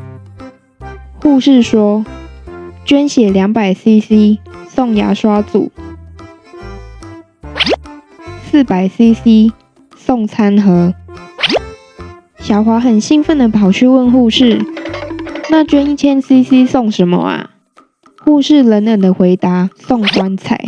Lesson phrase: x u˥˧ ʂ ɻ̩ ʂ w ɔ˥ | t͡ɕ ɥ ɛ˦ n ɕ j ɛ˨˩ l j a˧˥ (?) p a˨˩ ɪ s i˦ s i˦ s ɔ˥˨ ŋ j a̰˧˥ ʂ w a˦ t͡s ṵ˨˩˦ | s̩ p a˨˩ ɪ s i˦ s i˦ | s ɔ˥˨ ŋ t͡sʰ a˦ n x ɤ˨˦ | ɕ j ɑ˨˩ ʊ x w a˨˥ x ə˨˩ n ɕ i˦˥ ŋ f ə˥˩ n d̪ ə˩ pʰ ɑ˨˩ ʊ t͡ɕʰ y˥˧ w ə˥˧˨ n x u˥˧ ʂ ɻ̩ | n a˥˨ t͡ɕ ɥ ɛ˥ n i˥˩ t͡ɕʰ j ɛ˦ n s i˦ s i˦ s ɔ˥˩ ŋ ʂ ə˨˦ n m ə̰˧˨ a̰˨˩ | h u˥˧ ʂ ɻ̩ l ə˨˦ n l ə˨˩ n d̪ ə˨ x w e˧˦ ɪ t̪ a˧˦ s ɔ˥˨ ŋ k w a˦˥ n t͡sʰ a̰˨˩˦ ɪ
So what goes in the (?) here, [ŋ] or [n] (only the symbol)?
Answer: ŋ